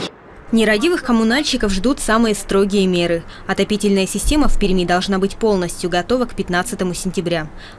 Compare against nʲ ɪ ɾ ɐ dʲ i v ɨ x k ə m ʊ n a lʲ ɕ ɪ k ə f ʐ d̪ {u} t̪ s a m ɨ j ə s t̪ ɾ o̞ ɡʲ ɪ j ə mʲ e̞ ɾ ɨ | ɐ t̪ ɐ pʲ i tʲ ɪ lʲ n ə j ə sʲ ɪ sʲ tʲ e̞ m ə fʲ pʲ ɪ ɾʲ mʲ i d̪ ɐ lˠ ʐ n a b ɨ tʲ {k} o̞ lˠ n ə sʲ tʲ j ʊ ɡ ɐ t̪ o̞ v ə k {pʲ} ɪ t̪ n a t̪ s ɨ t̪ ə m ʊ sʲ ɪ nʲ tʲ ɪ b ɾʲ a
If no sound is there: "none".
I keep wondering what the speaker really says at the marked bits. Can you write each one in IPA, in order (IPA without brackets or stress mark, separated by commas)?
u, p, pʲ